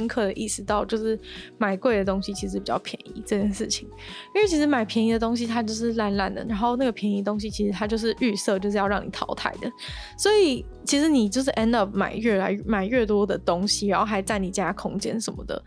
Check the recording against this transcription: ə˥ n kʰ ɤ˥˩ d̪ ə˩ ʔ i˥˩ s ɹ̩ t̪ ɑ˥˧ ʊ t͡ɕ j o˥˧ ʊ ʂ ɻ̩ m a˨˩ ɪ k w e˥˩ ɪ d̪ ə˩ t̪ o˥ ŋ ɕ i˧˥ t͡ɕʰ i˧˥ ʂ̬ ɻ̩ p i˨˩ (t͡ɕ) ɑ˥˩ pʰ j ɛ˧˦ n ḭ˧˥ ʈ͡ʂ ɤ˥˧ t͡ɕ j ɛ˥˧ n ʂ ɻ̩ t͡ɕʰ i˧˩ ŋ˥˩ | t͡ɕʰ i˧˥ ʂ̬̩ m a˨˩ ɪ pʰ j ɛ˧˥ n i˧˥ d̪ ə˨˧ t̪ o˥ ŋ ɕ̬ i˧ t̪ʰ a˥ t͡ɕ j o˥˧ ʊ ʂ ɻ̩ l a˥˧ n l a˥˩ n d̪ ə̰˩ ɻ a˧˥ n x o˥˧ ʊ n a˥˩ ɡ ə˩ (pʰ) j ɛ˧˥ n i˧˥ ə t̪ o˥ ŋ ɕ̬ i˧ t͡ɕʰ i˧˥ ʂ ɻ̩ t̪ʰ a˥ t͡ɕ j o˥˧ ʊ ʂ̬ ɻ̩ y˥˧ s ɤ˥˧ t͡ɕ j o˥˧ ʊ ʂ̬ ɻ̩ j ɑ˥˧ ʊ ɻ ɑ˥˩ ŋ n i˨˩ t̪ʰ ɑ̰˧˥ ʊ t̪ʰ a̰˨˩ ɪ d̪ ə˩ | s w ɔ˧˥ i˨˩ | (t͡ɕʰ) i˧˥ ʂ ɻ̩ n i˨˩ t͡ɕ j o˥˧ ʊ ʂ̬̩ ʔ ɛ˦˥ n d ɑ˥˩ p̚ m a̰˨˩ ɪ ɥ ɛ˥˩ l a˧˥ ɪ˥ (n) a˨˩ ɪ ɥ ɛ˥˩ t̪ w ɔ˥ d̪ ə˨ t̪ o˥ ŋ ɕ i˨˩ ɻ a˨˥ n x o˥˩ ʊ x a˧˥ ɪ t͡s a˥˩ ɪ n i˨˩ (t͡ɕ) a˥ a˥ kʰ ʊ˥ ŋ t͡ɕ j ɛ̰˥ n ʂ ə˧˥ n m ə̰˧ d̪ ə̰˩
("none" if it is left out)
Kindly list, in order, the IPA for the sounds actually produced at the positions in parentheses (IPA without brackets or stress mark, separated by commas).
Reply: t͡ɕ, pʰ, t͡ɕʰ, m, t͡ɕ